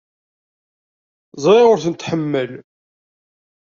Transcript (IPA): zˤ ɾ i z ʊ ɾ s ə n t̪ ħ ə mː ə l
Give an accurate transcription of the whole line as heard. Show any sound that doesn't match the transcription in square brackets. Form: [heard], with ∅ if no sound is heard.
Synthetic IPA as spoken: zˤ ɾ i [ʁ] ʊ ɾ [θ] ə n t̪ ħ ə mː ə l